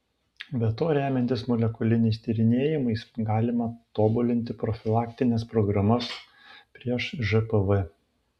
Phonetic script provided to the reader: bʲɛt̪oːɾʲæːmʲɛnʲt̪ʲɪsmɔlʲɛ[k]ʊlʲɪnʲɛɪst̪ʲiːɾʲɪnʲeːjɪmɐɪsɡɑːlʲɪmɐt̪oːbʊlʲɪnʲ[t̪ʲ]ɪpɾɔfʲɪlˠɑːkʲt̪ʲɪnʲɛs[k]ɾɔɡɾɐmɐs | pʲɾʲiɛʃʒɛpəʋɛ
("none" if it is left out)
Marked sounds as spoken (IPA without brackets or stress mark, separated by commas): k, t̪ʲ, p